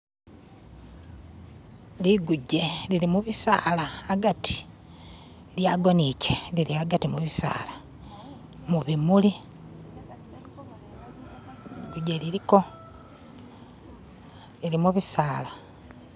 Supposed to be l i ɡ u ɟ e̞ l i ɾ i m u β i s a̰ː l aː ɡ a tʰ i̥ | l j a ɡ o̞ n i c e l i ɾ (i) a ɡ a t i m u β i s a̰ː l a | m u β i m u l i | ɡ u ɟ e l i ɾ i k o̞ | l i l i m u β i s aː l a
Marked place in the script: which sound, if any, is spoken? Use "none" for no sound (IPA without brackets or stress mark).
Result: i